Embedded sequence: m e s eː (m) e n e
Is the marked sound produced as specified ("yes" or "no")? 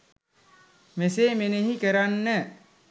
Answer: yes